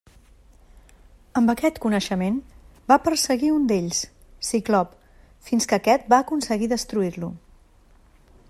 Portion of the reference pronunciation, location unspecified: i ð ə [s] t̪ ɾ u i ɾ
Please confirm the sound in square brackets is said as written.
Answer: yes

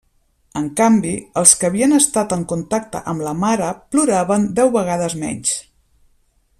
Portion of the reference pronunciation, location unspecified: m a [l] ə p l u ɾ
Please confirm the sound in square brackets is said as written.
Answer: no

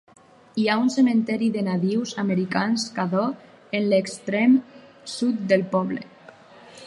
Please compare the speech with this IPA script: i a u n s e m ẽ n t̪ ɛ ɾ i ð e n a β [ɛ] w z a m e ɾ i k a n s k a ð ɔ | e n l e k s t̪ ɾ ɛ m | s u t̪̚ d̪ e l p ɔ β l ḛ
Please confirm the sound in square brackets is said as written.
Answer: no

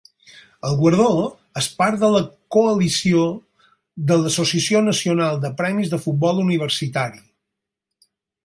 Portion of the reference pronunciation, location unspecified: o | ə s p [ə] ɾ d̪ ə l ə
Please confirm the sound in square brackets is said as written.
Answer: no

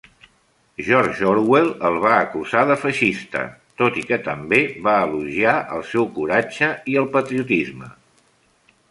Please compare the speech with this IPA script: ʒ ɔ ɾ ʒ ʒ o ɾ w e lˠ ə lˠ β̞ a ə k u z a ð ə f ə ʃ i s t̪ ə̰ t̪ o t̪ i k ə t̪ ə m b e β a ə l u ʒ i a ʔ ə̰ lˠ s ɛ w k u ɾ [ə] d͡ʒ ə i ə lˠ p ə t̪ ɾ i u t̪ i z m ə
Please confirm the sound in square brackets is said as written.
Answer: no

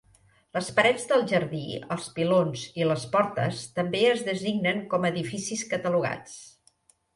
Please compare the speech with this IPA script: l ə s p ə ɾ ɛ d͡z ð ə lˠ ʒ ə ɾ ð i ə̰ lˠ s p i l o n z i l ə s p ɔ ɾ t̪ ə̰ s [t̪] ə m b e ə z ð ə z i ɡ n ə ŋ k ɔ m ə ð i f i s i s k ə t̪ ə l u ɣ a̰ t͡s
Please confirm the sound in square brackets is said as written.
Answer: yes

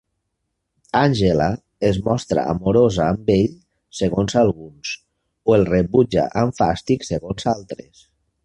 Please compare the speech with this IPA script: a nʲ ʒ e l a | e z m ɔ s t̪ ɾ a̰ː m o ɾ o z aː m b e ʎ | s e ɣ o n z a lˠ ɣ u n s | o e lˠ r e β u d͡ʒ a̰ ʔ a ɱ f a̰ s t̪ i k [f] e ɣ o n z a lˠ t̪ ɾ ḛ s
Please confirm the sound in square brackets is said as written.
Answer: no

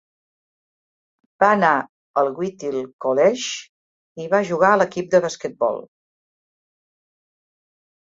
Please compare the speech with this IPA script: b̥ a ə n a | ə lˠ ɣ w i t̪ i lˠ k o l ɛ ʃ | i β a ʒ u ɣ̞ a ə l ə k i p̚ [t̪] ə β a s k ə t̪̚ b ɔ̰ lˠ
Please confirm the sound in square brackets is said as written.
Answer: no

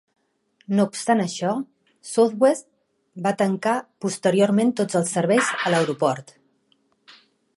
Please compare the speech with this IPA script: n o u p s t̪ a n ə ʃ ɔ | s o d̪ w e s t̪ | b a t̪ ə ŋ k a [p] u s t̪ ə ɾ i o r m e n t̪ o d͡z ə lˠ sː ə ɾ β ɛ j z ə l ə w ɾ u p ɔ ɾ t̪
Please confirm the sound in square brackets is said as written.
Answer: yes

